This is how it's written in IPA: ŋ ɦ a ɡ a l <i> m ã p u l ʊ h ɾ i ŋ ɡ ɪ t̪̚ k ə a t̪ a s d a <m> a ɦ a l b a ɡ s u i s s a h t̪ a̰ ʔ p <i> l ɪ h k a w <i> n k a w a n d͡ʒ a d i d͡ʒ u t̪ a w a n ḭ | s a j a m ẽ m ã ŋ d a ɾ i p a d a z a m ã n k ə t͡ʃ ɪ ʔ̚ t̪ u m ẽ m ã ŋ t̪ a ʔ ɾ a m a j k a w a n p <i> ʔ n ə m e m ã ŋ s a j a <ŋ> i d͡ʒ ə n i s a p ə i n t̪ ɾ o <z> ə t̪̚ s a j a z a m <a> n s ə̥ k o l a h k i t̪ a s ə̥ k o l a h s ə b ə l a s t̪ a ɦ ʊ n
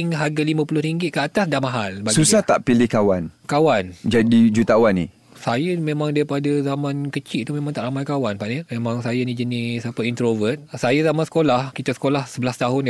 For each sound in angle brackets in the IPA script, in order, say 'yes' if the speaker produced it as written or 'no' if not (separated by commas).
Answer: yes, yes, yes, no, no, no, no, yes